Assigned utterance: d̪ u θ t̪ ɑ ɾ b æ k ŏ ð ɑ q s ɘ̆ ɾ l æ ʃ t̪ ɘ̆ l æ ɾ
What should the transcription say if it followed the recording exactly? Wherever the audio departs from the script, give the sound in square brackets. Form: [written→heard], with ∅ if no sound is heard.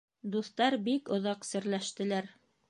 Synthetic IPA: d̪ u θ t̪ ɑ ɾ b [æ→i] k ŏ ð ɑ q s ɘ̆ ɾ l æ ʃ t̪ ɘ̆ l æ ɾ